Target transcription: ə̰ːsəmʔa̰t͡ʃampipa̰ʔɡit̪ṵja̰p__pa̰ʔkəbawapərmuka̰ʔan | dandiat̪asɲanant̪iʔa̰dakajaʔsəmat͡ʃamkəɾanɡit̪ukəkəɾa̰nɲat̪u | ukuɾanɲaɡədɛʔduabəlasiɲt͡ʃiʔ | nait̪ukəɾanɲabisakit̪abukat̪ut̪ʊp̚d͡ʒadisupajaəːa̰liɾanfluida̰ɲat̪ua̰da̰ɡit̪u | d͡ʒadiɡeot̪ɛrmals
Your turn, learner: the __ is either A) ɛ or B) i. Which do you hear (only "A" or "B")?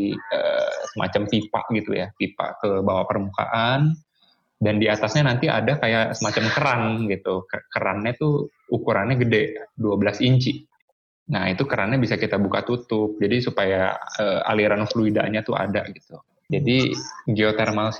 B